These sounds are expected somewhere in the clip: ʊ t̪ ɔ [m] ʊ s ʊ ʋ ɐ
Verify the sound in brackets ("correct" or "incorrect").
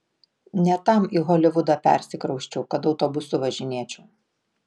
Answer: incorrect